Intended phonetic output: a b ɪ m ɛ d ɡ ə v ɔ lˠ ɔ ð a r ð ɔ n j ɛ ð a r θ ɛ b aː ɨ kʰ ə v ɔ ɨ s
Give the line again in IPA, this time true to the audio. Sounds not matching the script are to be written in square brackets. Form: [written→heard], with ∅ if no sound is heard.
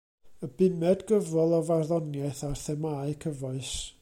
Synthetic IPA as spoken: [a→ə] b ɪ m ɛ d ɡ ə v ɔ lˠ ɔ [ð→v] a r ð ɔ n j ɛ [ð→θ] a r θ ɛ [b→m] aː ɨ kʰ ə v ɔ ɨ s